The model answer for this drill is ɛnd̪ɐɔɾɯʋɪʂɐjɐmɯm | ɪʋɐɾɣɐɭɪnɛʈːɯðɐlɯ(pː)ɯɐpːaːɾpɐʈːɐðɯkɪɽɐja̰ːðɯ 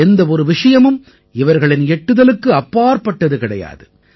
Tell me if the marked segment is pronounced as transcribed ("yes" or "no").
no